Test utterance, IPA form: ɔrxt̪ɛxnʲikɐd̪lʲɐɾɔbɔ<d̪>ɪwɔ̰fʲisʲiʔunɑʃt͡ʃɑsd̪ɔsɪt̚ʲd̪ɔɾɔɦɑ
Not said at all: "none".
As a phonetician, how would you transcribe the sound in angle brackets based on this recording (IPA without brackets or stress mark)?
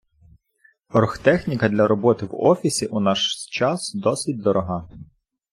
t̪